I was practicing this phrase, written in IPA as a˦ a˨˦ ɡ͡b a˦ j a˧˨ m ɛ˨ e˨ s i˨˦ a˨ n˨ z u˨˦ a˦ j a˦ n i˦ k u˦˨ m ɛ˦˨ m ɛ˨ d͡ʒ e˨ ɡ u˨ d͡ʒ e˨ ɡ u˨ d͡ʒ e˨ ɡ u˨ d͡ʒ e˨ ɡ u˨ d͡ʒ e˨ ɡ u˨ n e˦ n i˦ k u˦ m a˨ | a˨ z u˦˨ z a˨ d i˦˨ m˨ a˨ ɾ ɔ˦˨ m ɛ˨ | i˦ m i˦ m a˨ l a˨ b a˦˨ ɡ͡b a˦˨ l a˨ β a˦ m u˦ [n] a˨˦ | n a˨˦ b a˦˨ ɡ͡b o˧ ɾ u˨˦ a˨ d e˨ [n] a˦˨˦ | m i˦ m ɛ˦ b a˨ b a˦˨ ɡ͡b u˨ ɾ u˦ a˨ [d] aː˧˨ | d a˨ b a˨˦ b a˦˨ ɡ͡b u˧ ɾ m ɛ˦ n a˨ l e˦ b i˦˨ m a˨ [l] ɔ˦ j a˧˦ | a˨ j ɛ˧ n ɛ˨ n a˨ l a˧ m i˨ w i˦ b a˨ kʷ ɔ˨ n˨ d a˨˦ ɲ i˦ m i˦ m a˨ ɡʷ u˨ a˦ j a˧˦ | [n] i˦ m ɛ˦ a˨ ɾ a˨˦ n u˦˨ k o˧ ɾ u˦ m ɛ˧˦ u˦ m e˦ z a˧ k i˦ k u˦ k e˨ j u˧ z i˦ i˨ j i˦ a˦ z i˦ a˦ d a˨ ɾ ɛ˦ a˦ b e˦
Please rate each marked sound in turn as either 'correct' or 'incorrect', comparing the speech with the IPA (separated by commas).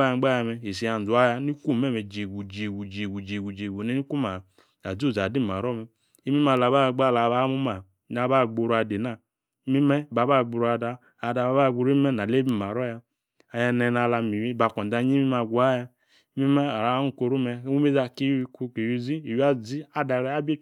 incorrect, correct, correct, incorrect, incorrect